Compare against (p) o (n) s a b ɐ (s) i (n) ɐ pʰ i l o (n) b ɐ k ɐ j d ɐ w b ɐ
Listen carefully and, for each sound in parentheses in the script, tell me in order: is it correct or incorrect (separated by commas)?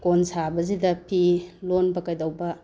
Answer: incorrect, correct, incorrect, incorrect, correct